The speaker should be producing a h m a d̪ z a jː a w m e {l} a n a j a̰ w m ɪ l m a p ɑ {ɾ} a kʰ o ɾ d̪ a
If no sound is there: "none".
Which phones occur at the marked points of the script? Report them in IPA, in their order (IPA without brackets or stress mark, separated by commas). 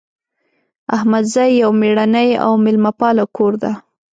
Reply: ɽ, l